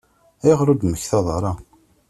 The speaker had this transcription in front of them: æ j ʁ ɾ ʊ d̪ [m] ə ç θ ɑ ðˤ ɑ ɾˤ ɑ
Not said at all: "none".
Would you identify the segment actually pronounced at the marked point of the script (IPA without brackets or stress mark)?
m